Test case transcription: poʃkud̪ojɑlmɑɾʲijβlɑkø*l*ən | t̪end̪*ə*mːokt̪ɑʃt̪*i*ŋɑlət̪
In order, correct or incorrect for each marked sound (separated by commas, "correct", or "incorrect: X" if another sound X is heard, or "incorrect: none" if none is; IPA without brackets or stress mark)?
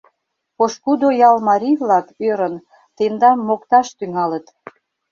incorrect: ɾ, incorrect: ɑ, incorrect: y